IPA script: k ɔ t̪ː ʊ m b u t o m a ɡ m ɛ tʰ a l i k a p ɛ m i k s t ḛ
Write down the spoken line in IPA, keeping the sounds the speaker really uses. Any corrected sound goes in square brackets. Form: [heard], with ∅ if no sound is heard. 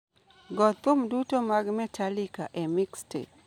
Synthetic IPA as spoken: [ɡ] ɔ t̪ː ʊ m [d] u t o m a ɡ m ɛ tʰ a l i k a [ʔ] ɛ m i k s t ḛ